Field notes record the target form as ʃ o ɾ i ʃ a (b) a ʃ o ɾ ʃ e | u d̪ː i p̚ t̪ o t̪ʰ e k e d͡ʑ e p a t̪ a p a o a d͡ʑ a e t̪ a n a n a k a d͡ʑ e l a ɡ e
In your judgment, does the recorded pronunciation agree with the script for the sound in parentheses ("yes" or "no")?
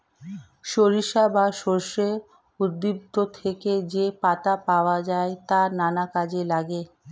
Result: yes